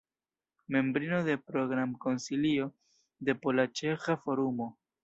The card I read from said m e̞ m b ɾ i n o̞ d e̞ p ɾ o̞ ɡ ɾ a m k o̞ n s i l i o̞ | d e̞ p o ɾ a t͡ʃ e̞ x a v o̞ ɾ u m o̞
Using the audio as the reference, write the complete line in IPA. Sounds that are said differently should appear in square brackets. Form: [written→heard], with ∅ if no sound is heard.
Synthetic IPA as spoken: m e̞ m b ɾ i n o̞ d e̞ p ɾ o̞ ɡ ɾ a m k o̞ n s i l i o̞ | d e̞ p o [ɾ→l] a t͡ʃ e̞ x a [v→f] o̞ ɾ u m o̞